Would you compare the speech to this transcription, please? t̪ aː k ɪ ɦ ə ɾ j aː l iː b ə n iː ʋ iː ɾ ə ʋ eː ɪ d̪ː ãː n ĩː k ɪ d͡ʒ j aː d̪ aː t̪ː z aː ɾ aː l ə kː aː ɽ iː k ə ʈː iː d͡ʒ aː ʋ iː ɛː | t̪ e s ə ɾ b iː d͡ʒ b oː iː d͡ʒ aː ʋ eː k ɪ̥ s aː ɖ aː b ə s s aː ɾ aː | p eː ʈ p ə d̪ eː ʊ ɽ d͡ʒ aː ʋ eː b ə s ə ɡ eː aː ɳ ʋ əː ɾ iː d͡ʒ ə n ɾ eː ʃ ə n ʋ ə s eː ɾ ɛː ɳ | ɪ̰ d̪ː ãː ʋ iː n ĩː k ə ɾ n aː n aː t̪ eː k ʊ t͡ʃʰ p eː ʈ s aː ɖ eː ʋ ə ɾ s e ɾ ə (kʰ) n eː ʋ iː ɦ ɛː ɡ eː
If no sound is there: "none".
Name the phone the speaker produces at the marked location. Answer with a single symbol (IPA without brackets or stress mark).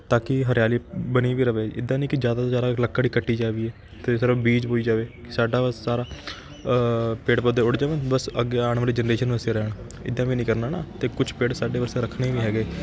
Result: kʰ